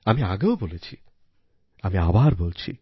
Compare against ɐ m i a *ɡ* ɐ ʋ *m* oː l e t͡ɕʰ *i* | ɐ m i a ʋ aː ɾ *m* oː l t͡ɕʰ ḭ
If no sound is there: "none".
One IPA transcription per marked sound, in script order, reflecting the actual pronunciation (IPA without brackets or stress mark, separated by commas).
ɡ, b, i, b